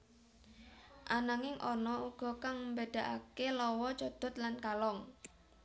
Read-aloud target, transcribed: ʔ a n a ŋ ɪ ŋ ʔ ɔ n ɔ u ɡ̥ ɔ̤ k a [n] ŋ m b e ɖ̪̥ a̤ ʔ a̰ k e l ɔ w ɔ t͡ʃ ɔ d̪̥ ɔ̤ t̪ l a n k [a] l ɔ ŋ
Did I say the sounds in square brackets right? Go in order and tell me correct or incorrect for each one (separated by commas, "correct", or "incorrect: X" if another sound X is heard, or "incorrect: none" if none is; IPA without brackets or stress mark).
incorrect: none, correct